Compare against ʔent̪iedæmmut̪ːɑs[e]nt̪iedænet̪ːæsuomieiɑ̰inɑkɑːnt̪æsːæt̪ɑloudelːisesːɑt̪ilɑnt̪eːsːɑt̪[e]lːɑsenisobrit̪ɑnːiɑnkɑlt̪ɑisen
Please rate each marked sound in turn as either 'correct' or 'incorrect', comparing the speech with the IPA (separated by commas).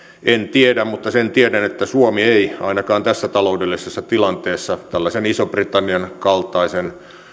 correct, incorrect